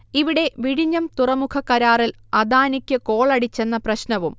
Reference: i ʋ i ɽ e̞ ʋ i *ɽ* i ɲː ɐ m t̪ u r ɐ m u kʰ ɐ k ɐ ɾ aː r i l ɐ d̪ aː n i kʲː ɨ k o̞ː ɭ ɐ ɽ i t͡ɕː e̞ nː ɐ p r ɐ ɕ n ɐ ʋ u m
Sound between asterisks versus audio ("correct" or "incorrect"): correct